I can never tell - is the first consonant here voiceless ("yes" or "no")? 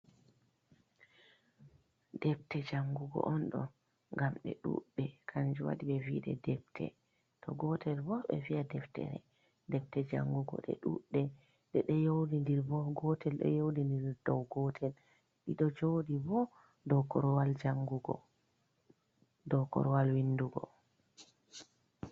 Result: no